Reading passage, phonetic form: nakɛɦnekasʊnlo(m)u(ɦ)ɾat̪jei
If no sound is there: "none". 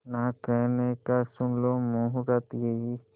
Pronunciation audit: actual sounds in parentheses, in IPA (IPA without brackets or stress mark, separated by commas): m, ɦ